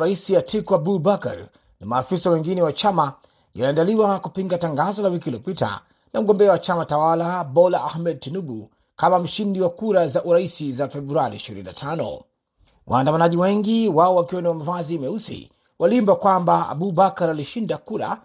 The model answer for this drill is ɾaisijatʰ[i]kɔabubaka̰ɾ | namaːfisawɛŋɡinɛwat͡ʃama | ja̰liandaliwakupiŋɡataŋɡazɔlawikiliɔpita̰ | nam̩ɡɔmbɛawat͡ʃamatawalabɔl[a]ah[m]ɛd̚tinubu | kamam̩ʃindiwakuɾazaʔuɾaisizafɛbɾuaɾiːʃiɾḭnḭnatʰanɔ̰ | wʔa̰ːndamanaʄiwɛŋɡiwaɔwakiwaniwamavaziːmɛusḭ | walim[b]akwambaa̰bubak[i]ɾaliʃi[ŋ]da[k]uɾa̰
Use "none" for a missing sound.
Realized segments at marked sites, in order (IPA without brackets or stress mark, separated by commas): i, a, m, b, a, n, k